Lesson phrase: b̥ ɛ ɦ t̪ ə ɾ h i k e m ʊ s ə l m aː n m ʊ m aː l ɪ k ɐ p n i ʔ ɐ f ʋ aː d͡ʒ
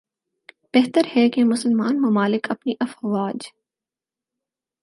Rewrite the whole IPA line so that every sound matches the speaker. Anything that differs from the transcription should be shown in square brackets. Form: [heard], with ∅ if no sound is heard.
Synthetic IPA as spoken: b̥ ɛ ɦ t̪ ə ɾ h [ɛ] k e m ʊ s ə l m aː n m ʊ m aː l ɪ k ɐ p n i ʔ ɐ f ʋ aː d͡ʒ